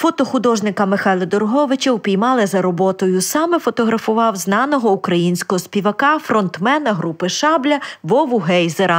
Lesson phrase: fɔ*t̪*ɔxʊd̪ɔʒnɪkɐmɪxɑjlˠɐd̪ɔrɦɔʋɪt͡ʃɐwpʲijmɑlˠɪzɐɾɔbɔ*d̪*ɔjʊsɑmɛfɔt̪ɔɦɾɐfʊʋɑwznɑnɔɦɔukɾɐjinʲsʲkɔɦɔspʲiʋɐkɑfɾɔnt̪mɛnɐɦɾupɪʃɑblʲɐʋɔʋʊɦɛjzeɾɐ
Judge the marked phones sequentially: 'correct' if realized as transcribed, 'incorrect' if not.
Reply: correct, incorrect

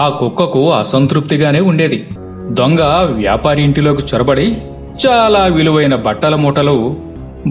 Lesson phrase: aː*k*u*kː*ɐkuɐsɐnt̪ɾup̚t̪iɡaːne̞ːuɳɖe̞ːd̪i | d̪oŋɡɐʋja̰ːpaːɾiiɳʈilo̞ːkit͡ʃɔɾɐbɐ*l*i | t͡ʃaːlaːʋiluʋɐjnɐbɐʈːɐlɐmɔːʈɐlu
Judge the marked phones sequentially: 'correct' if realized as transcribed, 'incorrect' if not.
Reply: correct, correct, incorrect

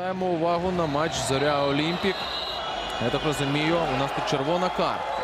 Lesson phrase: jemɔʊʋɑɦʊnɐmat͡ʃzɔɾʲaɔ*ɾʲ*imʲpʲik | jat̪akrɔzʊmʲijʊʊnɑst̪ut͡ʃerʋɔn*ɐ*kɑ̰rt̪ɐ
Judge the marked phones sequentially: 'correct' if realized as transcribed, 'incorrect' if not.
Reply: incorrect, correct

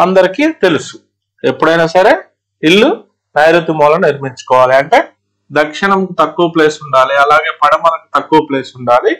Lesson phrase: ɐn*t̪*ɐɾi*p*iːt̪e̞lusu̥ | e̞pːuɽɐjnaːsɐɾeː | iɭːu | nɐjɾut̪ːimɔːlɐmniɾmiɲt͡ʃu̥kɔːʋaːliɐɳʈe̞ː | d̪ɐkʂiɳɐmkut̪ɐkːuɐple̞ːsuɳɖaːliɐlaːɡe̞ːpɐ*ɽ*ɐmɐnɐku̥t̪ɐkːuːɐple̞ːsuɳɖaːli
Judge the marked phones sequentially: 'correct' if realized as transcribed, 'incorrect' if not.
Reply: incorrect, incorrect, correct

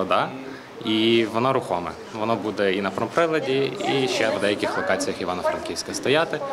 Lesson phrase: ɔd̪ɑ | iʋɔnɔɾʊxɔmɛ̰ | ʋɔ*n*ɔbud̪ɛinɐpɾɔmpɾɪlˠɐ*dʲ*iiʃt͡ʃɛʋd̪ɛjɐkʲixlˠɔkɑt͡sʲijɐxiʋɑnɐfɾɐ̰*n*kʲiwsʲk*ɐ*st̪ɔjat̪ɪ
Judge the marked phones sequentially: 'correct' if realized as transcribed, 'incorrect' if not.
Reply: correct, correct, correct, correct

